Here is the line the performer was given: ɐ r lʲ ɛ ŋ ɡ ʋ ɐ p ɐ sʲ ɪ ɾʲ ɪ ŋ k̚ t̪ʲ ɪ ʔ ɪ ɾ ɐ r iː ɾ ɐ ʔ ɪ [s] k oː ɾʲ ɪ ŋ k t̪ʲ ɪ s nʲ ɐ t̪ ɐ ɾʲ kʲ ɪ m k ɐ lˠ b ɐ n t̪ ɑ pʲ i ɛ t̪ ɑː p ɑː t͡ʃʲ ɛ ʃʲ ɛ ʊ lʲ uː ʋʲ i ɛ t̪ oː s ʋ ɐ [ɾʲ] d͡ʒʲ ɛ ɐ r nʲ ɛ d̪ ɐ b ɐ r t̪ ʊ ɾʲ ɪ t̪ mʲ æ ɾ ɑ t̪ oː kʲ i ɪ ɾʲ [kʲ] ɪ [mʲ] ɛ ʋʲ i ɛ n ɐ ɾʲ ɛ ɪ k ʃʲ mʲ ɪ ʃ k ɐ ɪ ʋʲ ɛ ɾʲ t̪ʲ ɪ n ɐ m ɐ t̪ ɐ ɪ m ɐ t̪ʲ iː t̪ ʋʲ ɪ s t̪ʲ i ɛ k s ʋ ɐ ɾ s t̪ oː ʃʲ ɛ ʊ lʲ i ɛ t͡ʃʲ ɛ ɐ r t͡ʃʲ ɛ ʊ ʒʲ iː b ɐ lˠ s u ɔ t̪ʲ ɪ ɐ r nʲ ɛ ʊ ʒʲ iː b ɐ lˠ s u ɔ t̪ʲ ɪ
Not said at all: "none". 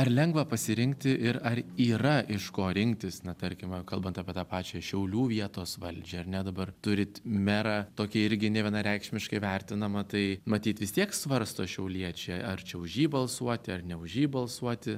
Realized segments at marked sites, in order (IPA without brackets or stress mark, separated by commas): ʃ, lʲ, ɡʲ, nʲ